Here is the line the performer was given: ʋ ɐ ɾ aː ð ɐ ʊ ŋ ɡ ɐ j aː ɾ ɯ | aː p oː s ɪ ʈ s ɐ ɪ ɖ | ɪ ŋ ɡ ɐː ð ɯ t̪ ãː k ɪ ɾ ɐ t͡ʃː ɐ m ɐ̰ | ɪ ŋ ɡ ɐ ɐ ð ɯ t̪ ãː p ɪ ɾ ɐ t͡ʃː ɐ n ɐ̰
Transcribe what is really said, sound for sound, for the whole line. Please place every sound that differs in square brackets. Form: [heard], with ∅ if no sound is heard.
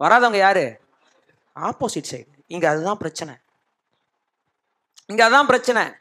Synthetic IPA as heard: ʋ ɐ ɾ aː ð ɐ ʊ ŋ ɡ ɐ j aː ɾ ɯ | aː p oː s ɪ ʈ s ɐ ɪ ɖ | ɪ ŋ ɡ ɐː ð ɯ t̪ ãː [p] ɪ ɾ ɐ t͡ʃː ɐ [n] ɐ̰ | ɪ ŋ ɡ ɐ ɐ ð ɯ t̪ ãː p ɪ ɾ ɐ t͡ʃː ɐ n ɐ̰